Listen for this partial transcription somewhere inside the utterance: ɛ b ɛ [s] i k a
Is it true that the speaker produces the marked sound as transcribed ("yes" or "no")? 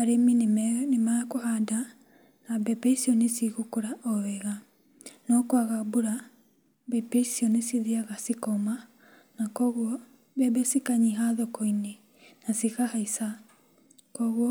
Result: yes